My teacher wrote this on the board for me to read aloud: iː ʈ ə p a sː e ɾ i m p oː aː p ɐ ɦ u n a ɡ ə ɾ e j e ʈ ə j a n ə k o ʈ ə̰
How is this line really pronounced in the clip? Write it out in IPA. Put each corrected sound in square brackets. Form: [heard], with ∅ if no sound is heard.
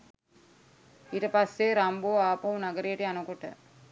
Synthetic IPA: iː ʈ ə p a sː e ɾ [a] m [b] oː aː p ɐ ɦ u n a ɡ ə ɾ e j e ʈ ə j a n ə k o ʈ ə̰